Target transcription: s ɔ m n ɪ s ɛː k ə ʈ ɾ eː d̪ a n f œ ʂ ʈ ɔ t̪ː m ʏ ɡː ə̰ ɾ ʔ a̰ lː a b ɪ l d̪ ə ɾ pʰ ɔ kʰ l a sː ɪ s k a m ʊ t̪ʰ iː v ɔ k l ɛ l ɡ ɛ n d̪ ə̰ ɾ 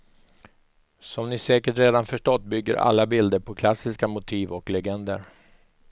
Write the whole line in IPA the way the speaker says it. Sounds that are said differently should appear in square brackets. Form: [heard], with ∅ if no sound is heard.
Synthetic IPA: s ɔ m n ɪ s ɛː k ə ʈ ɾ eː d̪ a n f œ ʂ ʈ ɔ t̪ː [b] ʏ ɡː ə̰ ɾ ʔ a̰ lː a b ɪ l d̪ ə ɾ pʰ ɔ kʰ l a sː ɪ s k a m ʊ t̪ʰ iː v ɔ k l ɛ [∅] ɡ ɛ n d̪ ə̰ ɾ